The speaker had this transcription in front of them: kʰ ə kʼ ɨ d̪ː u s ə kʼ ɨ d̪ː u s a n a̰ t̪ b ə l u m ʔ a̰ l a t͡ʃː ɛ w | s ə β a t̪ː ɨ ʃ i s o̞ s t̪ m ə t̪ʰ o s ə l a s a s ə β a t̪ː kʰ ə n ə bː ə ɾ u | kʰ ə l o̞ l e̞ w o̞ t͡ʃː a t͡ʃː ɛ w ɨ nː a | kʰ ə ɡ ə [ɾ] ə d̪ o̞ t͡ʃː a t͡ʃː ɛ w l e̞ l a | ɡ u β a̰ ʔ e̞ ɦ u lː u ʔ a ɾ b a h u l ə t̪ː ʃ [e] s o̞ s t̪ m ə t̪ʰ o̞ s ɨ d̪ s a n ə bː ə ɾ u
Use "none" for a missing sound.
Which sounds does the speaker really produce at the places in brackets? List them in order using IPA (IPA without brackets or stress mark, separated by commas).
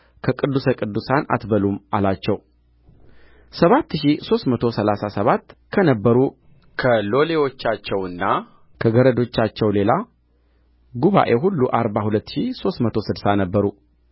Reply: ɾ, i